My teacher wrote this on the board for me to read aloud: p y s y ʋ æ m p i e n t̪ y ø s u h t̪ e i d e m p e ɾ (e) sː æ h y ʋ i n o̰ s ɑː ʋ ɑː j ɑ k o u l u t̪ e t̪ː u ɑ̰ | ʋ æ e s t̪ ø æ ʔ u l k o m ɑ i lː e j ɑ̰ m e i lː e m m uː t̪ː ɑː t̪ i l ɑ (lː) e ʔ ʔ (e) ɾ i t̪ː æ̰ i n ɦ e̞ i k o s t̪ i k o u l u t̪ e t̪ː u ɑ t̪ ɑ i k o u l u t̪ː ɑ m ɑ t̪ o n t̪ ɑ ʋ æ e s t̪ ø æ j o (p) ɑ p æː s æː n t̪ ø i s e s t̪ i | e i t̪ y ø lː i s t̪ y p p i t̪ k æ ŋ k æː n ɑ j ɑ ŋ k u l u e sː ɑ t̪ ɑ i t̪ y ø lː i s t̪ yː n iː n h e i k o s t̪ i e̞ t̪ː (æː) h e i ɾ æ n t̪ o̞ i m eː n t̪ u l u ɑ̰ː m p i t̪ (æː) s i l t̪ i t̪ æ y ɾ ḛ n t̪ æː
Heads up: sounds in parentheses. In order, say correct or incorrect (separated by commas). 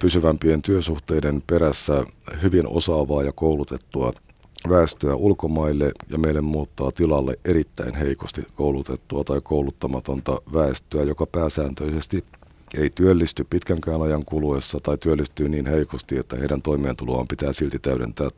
incorrect, correct, correct, incorrect, incorrect, correct